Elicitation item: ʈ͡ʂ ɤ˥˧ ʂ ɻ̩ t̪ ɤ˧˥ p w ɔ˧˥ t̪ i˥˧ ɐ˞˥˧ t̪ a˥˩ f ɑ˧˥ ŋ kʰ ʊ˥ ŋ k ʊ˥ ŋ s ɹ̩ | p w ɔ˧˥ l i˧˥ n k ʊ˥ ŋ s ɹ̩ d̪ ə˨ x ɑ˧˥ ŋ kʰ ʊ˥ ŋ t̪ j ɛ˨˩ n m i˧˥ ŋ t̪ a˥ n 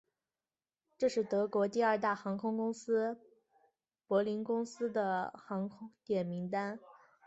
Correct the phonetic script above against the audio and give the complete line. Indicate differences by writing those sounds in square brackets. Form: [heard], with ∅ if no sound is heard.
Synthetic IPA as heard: ʈ͡ʂ ɤ˥˧ ʂ ɻ̩ t̪ ɤ˧˥ [k] w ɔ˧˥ t̪ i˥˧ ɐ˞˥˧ t̪ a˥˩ [x] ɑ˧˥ ŋ kʰ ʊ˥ ŋ k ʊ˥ ŋ s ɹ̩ | p w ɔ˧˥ l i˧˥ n k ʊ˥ ŋ s ɹ̩ d̪ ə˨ x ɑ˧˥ ŋ kʰ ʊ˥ ŋ t̪ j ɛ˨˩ n m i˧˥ ŋ t̪ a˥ n